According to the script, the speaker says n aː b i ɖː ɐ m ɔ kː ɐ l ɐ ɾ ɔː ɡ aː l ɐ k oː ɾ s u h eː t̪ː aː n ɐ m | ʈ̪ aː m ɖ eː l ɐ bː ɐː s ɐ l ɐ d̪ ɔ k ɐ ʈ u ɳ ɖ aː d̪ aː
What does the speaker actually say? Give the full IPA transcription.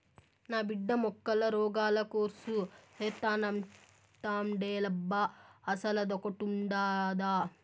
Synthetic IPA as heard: n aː b i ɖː ɐ m ɔ kː ɐ l ɐ ɾ ɔː ɡ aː l ɐ k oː ɾ s u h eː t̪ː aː n ɐ m | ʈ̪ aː m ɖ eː l ɐ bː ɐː s ɐ l ɐ d̪ ɔ k ɐ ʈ u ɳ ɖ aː d̪ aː